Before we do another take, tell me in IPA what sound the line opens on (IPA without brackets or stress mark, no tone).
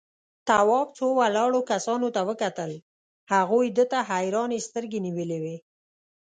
t̪